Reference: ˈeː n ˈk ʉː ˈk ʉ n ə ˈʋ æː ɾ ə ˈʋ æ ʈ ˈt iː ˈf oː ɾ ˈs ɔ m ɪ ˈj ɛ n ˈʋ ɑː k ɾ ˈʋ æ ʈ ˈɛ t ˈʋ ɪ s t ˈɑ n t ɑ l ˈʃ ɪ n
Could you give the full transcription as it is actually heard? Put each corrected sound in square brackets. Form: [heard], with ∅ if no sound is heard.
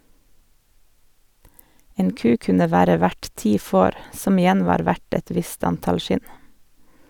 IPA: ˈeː n ˈk ʉː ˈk ʉ n ə ˈʋ æː ɾ ə ˈʋ æ ʈ ˈt iː ˈf oː ɾ ˈs ɔ m ɪ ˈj ɛ n ˈʋ ɑː [∅] ɾ ˈʋ æ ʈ ˈɛ t ˈʋ ɪ s t ˈɑ n t ɑ l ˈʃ ɪ n